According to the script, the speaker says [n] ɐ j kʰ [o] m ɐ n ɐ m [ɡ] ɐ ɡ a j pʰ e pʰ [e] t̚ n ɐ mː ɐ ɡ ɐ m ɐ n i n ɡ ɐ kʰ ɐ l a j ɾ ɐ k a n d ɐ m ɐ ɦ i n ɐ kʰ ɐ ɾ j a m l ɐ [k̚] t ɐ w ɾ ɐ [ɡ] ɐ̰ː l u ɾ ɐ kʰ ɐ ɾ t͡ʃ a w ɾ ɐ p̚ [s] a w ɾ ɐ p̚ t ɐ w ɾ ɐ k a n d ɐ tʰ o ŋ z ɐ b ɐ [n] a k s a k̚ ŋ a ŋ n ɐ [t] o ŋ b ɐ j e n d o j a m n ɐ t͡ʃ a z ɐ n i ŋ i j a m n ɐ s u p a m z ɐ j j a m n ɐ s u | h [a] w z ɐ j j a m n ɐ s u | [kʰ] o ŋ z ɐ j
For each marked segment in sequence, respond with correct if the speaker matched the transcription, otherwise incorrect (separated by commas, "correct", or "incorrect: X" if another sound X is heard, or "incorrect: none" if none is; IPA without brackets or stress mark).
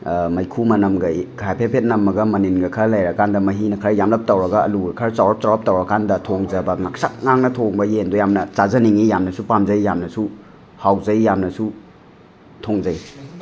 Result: incorrect: m, incorrect: u, correct, correct, incorrect: p̚, correct, incorrect: t, incorrect: ŋ, incorrect: tʰ, correct, incorrect: tʰ